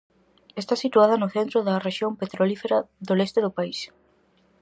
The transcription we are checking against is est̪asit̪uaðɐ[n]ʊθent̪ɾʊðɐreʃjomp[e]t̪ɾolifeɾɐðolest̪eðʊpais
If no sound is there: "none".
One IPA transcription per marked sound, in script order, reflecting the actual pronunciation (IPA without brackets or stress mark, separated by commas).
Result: n, e